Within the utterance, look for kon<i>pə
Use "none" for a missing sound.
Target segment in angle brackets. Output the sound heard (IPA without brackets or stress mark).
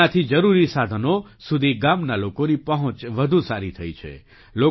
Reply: i